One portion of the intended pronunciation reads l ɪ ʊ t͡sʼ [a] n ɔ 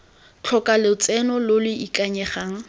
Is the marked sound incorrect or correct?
incorrect